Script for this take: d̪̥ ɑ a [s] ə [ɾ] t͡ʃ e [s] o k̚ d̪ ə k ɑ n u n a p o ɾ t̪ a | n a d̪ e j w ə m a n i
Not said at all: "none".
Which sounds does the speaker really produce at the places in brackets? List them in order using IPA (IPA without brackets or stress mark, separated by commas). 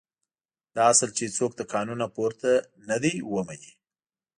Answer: s, l, t͡s